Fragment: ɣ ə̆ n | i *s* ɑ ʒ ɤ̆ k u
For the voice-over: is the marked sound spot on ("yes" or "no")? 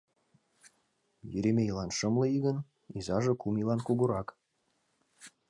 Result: no